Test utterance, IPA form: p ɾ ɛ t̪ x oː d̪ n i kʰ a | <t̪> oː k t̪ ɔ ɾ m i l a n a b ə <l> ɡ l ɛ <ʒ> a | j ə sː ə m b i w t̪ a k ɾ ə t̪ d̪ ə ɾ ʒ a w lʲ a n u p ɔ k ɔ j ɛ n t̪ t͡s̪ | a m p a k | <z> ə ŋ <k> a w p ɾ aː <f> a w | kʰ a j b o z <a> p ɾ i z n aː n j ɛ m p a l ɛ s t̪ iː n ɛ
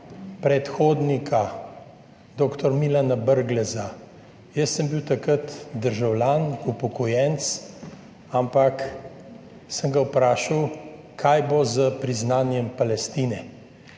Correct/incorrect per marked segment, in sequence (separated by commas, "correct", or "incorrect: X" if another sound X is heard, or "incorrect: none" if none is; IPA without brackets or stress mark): incorrect: d̪, incorrect: ɾ, incorrect: z, incorrect: s, incorrect: ɡ, incorrect: ʃ, incorrect: ə